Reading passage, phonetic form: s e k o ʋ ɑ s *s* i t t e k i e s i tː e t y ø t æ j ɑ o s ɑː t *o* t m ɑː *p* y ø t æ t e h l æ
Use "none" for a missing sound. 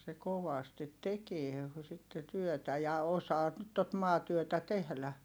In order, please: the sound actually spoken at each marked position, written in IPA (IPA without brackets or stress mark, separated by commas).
t, o, t